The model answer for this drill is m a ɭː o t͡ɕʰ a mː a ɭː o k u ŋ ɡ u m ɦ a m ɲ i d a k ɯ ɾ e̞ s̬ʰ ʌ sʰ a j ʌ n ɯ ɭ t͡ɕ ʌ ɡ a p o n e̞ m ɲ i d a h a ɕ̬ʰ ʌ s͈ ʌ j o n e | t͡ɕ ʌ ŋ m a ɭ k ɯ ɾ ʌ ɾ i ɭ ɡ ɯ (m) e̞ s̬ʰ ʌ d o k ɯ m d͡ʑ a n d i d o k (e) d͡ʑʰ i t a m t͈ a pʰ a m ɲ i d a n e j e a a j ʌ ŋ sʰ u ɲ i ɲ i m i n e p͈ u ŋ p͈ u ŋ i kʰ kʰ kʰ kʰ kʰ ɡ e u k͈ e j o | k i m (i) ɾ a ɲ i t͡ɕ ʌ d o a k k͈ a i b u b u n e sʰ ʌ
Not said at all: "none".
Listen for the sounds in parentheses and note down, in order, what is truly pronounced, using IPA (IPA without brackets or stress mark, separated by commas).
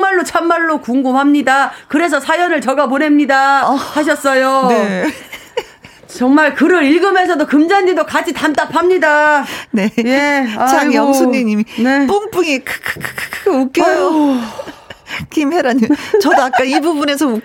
m, a, e